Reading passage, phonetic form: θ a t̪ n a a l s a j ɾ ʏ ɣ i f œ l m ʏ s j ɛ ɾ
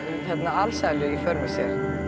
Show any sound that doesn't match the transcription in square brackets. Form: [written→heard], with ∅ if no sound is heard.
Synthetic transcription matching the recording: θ [a→ɛ] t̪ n a a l s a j [ɾ→l] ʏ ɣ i f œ [l→ɾ] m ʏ s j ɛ ɾ